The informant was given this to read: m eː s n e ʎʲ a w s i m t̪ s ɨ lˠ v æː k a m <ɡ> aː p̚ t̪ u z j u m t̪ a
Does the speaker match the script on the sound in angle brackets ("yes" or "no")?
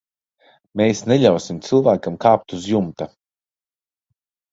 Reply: no